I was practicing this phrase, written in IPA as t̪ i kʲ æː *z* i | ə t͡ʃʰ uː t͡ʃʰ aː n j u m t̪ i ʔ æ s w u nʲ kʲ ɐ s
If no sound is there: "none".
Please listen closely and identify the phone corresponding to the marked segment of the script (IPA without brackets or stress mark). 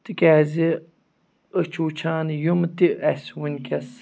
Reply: z